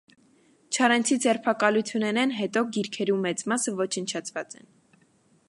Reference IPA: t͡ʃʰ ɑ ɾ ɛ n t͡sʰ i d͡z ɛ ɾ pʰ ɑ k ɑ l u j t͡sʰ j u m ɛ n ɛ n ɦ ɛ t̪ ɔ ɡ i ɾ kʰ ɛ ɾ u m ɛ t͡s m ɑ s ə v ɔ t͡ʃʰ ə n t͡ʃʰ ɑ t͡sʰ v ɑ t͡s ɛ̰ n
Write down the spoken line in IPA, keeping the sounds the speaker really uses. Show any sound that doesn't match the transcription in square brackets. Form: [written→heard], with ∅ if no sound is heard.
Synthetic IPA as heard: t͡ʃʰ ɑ ɾ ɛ n t͡sʰ i d͡z ɛ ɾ pʰ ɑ k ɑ l u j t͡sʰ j u [m→n] ɛ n ɛ n ɦ ɛ t̪ ɔ ɡ i ɾ kʰ ɛ ɾ u m ɛ t͡s m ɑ s ə v ɔ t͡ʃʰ ə n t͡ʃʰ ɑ t͡sʰ v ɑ t͡s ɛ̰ n